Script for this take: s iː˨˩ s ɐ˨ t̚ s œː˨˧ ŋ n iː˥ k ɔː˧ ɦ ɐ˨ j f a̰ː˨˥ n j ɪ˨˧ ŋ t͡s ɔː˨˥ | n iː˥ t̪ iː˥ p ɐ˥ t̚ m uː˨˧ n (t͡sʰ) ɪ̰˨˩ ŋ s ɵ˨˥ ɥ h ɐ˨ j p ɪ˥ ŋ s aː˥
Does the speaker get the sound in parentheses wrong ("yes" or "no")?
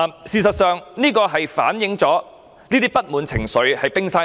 no